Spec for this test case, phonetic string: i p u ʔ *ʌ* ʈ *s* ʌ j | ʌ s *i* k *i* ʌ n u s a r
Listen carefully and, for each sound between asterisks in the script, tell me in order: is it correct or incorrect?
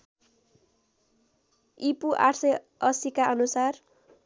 incorrect, correct, correct, incorrect

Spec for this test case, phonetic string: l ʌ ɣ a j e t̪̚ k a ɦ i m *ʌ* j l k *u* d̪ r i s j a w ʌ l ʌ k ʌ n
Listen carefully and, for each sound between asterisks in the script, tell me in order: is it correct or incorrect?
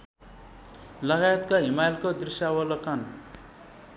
incorrect, incorrect

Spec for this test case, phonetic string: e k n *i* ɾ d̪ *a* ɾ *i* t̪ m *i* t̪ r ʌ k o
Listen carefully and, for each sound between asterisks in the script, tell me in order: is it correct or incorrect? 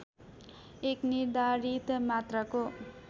correct, correct, correct, incorrect

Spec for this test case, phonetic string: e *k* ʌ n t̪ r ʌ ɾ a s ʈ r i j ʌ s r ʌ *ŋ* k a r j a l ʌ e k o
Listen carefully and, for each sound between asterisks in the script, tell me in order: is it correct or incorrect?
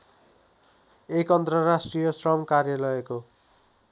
correct, incorrect

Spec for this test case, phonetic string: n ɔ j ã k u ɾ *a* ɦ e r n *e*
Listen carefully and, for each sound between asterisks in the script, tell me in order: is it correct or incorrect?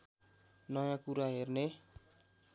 correct, correct

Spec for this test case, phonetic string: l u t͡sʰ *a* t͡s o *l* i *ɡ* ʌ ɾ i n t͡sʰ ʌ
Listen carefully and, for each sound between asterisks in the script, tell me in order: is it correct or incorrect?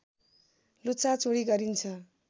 correct, incorrect, correct

